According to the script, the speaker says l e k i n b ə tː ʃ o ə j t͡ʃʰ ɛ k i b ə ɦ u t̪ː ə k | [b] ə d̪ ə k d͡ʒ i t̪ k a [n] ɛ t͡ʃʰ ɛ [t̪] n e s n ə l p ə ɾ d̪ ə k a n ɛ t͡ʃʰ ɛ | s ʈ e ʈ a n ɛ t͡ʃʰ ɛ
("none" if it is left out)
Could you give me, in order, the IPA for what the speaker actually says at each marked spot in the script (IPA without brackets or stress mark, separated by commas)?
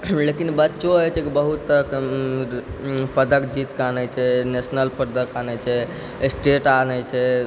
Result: p, n, none